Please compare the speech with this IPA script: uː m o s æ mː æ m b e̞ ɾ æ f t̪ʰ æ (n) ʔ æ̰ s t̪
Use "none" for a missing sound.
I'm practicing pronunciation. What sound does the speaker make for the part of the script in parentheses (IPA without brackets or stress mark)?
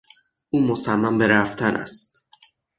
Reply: n